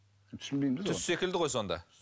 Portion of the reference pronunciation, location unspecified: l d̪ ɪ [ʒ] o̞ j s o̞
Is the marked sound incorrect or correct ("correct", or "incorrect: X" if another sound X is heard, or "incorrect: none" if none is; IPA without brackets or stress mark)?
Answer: incorrect: ʁ